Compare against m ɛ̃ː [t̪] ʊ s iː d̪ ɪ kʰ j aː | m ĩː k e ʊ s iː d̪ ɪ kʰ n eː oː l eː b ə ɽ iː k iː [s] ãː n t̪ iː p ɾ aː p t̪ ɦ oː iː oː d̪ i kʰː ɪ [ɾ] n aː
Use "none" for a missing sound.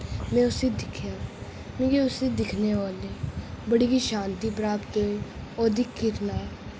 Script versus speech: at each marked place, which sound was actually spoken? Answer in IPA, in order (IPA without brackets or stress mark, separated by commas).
none, ʃ, ɾ